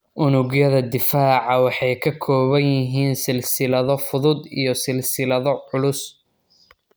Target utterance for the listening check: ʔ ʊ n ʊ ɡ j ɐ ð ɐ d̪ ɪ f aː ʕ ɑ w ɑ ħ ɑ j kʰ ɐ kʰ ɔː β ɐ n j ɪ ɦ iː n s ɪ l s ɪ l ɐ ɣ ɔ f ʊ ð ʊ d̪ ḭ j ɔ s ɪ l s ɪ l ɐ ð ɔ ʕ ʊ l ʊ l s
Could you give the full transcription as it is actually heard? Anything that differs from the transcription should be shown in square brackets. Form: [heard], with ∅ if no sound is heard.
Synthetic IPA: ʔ ʊ n ʊ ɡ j ɐ ð ɐ d̪ ɪ f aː ʕ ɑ w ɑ ħ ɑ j kʰ ɐ kʰ ɔː β ɐ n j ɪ ɦ iː n s ɪ l s ɪ l ɐ [ð] ɔ f ʊ ð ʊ d̪ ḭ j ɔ s ɪ l s ɪ l ɐ ð ɔ ʕ ʊ l ʊ [∅] s